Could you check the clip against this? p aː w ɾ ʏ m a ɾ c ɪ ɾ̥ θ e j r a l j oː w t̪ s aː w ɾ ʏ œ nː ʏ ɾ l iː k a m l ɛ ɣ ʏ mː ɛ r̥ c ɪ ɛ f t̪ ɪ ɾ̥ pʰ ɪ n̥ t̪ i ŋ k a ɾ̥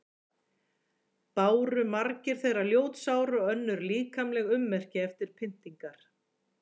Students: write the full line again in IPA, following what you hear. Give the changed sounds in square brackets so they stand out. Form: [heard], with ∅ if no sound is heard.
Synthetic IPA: p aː w ɾ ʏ m a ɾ c ɪ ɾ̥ θ e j r a l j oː w t̪ s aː w ɾ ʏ œ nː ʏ ɾ l iː k a m l ɛ ɣ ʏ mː ɛ r̥ c ɪ ɛ f t̪ ɪ ɾ̥ pʰ ɪ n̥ t̪ i ŋ k a ɾ̥